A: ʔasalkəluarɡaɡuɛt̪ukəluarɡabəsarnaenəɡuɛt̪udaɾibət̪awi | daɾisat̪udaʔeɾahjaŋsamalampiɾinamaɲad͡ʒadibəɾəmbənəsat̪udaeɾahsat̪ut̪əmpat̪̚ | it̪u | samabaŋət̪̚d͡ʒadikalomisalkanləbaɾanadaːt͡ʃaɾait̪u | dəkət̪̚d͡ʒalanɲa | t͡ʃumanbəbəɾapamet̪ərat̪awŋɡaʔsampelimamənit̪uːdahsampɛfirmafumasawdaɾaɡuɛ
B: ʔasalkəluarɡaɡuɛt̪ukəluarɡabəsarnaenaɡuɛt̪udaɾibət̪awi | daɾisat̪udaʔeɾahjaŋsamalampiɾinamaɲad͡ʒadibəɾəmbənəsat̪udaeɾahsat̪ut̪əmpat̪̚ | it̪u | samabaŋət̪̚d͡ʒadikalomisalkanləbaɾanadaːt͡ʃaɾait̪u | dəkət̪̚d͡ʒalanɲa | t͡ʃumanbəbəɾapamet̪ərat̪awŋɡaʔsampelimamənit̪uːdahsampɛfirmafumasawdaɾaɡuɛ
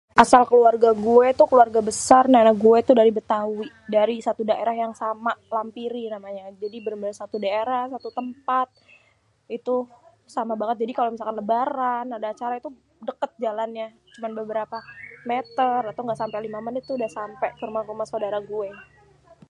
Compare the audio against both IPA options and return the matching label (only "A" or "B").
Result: B